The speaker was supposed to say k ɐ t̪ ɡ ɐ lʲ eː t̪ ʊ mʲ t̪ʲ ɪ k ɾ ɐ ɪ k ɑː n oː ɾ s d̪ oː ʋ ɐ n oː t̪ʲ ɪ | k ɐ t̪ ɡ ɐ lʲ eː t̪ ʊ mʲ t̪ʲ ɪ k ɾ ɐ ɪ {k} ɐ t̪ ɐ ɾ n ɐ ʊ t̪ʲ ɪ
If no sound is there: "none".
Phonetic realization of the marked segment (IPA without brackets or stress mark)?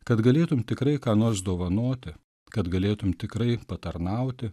p